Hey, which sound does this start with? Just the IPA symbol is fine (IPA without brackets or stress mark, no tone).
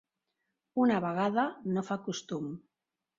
u